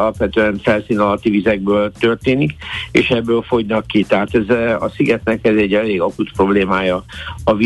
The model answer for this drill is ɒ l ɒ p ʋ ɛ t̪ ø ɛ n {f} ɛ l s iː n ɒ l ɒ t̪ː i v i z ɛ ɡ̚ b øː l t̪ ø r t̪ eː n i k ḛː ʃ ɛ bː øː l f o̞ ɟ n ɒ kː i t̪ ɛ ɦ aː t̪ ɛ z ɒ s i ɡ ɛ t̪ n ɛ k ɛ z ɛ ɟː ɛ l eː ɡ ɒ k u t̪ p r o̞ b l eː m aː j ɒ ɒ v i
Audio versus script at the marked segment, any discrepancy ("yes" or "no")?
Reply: no